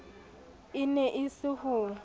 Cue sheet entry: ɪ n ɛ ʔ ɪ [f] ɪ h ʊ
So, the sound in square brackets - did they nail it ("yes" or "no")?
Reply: no